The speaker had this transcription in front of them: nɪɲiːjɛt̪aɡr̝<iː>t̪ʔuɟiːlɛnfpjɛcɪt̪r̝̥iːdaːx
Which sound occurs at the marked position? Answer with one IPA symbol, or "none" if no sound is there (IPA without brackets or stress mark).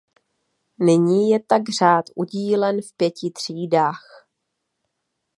aː